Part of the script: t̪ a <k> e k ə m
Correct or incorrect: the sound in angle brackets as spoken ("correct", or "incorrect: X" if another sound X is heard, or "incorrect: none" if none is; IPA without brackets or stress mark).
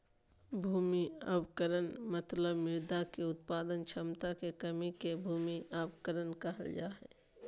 correct